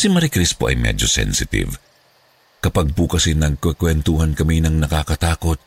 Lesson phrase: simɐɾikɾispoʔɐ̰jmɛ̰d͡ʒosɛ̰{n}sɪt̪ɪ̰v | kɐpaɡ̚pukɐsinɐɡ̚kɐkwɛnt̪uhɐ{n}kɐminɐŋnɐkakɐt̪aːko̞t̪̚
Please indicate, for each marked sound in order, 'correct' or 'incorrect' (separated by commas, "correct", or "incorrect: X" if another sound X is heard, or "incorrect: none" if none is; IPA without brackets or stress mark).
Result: correct, correct